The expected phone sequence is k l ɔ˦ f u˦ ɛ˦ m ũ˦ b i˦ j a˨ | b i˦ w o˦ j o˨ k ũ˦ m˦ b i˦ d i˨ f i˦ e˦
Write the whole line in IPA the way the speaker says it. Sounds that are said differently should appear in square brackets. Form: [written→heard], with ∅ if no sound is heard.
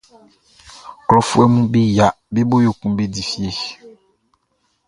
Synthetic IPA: k l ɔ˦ f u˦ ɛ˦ m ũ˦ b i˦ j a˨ | b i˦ [w→b] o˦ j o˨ k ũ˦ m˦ b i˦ d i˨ f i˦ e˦